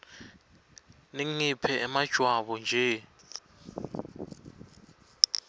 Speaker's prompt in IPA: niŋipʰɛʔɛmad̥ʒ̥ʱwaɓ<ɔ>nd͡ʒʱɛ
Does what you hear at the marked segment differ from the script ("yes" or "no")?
no